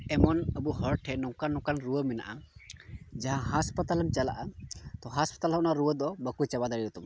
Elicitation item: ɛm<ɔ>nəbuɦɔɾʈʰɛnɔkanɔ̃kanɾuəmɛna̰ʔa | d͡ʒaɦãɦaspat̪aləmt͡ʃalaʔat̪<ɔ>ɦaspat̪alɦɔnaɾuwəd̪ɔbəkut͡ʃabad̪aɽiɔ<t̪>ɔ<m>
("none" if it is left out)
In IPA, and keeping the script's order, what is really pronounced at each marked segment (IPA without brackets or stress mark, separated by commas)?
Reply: ɔ, ɔ, t̪, m